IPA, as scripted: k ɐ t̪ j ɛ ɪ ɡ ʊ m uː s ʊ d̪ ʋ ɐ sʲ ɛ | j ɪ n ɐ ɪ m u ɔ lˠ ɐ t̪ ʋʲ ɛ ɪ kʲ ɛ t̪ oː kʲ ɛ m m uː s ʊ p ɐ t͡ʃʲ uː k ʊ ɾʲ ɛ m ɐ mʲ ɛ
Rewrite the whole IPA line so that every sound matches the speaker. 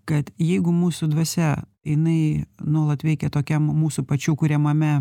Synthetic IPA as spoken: k ɐ t̪ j ɛ ɪ ɡ ʊ m uː s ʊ d̪ ʋ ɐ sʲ ɛ | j ɪ n ɐ ɪ n u ɔ lˠ ɐ t̪ ʋʲ ɛ ɪ kʲ ɛ t̪ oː kʲ ɛ m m uː s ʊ p ɐ t͡ʃʲ uː k ʊ ɾʲ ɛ m ɐ mʲ ɛ